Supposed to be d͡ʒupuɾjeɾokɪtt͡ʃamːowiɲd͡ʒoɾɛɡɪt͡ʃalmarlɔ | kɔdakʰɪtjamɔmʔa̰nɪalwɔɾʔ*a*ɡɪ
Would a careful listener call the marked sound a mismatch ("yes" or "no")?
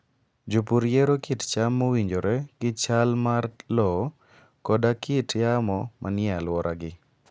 no